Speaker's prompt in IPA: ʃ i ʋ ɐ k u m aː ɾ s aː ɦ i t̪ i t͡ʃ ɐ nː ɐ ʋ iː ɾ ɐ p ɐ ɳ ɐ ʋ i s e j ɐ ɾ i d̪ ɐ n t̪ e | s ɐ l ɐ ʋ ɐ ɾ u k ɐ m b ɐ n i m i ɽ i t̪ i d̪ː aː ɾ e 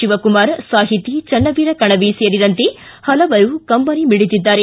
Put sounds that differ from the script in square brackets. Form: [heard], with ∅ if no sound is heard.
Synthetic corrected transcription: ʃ i ʋ ɐ k u m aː ɾ s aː ɦ i t̪ i t͡ʃ ɐ nː ɐ ʋ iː ɾ ɐ [k] ɐ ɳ ɐ ʋ i s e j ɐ ɾ i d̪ ɐ n t̪ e | [h] ɐ l ɐ ʋ ɐ ɾ u k ɐ m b ɐ n i m i ɽ i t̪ i d̪ː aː ɾ e

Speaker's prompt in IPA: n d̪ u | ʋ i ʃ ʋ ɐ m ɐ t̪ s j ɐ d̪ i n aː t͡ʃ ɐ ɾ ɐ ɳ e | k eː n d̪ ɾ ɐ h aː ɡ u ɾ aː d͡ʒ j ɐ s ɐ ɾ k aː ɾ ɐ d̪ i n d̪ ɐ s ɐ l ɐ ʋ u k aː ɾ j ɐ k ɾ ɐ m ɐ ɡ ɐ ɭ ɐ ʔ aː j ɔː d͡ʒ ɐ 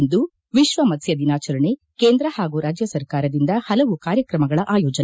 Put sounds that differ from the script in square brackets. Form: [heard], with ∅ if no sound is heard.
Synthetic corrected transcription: n d̪ u | ʋ i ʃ ʋ ɐ m ɐ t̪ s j ɐ d̪ i n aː t͡ʃ ɐ ɾ ɐ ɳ e | k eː n d̪ ɾ ɐ h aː ɡ u ɾ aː d͡ʒ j ɐ s ɐ ɾ k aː ɾ ɐ d̪ i n d̪ ɐ [h] ɐ l ɐ ʋ u k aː ɾ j ɐ k ɾ ɐ m ɐ ɡ ɐ ɭ ɐ ʔ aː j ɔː d͡ʒ ɐ

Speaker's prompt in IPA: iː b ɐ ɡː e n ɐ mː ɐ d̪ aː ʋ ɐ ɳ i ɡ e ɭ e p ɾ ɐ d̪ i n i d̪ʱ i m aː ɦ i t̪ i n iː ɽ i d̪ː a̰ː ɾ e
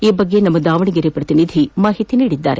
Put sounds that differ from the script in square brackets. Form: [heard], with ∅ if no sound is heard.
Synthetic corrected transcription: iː b ɐ ɡː e n ɐ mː ɐ d̪ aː ʋ ɐ ɳ i ɡ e [ɾ] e p ɾ ɐ [t̪] i n i d̪ʱ i m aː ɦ i t̪ i n iː ɽ i d̪ː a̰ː ɾ e

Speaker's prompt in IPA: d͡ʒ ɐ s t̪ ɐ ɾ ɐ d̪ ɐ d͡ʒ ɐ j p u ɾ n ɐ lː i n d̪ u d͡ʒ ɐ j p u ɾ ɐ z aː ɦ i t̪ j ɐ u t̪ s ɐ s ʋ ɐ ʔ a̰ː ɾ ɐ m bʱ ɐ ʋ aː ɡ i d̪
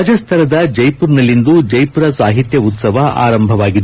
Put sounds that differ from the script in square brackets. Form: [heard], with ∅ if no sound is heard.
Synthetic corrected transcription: d͡ʒ ɐ s [t̪ʰ] ɐ ɾ ɐ d̪ ɐ d͡ʒ ɐ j p u ɾ n ɐ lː i n d̪ u d͡ʒ ɐ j p u ɾ ɐ [s] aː ɦ i t̪ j ɐ u t̪ s ɐ [∅] ʋ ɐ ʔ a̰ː ɾ ɐ m bʱ ɐ ʋ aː ɡ i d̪

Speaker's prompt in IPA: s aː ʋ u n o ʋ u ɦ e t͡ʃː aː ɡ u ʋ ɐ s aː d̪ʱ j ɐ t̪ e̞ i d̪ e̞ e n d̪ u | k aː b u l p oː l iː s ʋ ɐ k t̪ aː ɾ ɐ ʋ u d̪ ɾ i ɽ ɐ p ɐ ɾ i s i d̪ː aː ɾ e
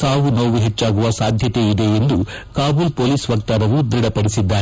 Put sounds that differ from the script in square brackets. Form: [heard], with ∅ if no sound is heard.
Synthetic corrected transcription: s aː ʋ u n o ʋ u ɦ e t͡ʃː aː ɡ u ʋ ɐ s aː d̪ʱ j ɐ t̪ e̞ i d̪ e̞ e n d̪ u | k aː b u l p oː l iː s ʋ ɐ k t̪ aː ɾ ɐ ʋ u d̪ ɾ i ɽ ɐ p ɐ [ɽ] i s i d̪ː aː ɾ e

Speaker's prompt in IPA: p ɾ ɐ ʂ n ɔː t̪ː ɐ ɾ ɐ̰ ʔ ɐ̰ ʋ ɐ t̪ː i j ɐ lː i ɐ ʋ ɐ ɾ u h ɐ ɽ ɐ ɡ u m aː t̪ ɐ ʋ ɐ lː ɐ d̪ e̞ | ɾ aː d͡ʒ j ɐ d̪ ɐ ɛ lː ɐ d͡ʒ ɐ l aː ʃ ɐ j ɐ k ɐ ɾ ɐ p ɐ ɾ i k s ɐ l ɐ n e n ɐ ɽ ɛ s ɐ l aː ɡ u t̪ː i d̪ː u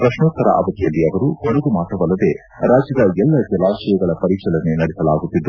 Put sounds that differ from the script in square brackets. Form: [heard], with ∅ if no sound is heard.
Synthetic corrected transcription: p ɾ ɐ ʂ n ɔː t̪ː ɐ ɾ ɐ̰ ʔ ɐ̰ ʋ ɐ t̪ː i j ɐ lː i ɐ ʋ ɐ ɾ u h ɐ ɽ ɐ ɡ u m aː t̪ ɐ ʋ ɐ lː ɐ d̪ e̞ | ɾ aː d͡ʒ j ɐ d̪ ɐ ɛ lː ɐ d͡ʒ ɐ l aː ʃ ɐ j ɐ [ɡ] ɐ [ɭ] ɐ p ɐ ɾ i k [ʂ] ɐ l ɐ n e n ɐ ɽ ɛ s ɐ l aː ɡ u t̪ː i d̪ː u

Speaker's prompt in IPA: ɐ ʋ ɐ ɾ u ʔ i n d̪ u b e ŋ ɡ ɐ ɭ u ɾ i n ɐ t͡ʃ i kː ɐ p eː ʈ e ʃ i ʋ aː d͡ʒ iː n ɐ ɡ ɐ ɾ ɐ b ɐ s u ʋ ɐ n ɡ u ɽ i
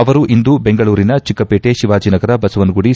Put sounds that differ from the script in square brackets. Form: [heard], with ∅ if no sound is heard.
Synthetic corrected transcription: ɐ ʋ ɐ ɾ u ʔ i n d̪ u b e ŋ ɡ ɐ ɭ [uː] ɾ i n ɐ t͡ʃ i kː ɐ p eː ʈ e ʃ i ʋ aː d͡ʒ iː n ɐ ɡ ɐ ɾ ɐ b ɐ s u ʋ ɐ n ɡ u ɽ i

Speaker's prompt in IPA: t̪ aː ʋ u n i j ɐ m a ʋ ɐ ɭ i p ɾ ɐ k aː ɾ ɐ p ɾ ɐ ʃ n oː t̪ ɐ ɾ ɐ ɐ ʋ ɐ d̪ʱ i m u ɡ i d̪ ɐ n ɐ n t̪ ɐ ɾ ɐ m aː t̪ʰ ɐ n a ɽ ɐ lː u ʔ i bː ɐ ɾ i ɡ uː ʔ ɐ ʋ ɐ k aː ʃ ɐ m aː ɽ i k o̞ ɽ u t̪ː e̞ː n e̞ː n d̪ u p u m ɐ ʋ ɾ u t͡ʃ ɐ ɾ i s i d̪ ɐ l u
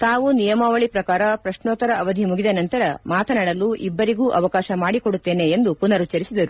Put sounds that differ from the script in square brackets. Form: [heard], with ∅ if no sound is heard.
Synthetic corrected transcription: t̪ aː ʋ u n i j ɐ m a ʋ ɐ ɭ i p ɾ ɐ k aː ɾ ɐ p ɾ ɐ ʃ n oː t̪ ɐ ɾ ɐ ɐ ʋ ɐ d̪ʱ i m u ɡ i d̪ ɐ n ɐ n t̪ ɐ ɾ ɐ m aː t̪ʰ ɐ n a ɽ ɐ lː u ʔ i bː ɐ ɾ i ɡ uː ʔ ɐ ʋ ɐ k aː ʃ ɐ m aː ɽ i k o̞ ɽ u t̪ː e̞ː n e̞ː n d̪ u p u [n] ɐ [∅] ɾ u t͡ʃ ɐ ɾ i s i d̪ ɐ [ɾ] u

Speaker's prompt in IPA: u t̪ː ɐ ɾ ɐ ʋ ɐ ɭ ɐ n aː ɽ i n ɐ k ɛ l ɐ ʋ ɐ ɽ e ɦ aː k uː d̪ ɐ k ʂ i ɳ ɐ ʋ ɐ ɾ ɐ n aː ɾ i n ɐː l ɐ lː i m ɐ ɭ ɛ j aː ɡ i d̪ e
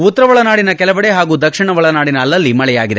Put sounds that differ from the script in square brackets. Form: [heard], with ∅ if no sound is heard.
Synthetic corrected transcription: u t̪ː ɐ ɾ ɐ ʋ ɐ ɭ ɐ n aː ɽ i n ɐ k ɛ l ɐ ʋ ɐ ɽ e ɦ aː [ɡ] uː d̪ ɐ k ʂ i ɳ ɐ ʋ ɐ [ɭ] ɐ n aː [ɽ] i n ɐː [lː] ɐ lː i m ɐ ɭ ɛ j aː ɡ i d̪ e

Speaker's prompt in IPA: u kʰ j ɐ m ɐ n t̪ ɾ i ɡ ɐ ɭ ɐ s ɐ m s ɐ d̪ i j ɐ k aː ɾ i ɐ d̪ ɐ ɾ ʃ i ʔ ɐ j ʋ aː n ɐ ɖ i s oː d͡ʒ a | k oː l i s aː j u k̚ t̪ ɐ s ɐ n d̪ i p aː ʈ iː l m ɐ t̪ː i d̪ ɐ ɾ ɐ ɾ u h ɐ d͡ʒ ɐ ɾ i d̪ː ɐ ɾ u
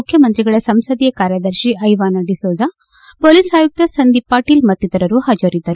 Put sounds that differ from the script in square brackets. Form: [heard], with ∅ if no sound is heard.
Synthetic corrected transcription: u kʰ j ɐ m ɐ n t̪ ɾ i ɡ ɐ ɭ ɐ s ɐ m s ɐ d̪ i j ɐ k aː ɾ [j] ɐ d̪ ɐ ɾ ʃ i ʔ ɐ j ʋ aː n ɐ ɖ i s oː d͡ʒ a | [p] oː l i s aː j u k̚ t̪ ɐ s ɐ n d̪ i p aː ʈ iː l m ɐ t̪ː i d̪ ɐ ɾ ɐ ɾ u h ɐ d͡ʒ ɐ ɾ i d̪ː ɐ ɾ u

